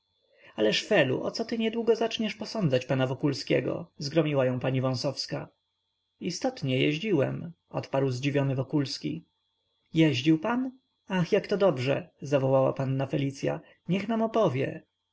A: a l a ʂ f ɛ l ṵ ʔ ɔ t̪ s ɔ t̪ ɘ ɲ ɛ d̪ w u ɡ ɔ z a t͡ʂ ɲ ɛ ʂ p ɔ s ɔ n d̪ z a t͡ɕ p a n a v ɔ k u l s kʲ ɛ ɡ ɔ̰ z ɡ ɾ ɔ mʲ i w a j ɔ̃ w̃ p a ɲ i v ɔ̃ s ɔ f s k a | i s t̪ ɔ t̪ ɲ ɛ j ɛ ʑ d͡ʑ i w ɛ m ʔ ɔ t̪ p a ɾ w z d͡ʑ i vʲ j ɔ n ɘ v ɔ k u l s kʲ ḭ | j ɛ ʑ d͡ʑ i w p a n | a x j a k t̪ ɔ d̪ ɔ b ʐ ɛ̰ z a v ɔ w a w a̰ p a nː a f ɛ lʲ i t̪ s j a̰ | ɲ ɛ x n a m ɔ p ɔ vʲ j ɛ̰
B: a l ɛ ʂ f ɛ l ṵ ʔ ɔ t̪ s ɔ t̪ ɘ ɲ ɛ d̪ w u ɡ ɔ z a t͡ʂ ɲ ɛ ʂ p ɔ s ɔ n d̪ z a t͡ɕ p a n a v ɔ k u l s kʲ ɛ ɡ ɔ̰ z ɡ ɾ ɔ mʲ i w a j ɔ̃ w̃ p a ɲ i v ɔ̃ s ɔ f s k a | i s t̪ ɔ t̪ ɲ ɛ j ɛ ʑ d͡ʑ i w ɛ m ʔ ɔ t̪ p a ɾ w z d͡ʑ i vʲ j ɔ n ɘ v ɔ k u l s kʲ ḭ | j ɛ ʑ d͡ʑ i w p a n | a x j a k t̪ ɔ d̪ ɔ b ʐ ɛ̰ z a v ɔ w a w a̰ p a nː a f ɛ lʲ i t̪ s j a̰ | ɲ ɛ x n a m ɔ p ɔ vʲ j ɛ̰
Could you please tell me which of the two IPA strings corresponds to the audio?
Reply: B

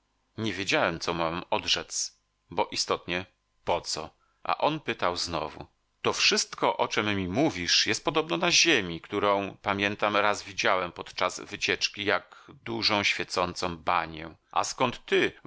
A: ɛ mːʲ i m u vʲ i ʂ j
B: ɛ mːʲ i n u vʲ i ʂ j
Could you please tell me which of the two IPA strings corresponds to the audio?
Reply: A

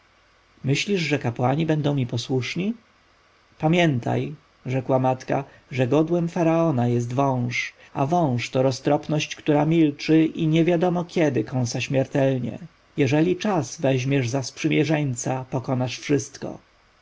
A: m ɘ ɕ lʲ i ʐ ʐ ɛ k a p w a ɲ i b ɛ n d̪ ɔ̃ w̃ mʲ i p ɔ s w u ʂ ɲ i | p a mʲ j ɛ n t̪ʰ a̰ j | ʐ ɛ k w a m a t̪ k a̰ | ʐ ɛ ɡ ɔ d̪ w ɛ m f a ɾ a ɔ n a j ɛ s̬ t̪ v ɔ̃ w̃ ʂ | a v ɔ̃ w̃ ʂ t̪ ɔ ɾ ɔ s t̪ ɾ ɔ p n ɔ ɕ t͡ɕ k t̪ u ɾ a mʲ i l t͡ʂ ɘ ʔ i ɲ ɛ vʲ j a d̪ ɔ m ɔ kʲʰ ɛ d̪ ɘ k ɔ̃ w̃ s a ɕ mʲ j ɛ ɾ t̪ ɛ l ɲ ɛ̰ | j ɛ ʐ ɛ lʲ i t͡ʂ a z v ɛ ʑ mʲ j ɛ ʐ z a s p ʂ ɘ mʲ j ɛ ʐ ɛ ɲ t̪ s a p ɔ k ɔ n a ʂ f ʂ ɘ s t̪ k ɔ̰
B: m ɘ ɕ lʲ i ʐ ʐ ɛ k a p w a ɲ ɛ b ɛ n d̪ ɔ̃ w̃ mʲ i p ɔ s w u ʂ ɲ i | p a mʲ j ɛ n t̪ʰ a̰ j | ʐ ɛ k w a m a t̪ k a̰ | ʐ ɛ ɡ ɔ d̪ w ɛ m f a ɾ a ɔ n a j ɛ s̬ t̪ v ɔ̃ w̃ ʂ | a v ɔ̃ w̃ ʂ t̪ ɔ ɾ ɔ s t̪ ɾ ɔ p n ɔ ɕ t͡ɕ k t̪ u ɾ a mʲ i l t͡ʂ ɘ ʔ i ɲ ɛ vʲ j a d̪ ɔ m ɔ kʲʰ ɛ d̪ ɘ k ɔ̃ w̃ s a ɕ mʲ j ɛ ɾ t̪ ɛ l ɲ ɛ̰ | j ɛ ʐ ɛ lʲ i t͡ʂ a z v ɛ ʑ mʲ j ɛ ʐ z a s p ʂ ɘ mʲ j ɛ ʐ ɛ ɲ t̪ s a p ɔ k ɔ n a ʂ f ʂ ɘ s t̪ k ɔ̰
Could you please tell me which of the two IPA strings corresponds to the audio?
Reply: A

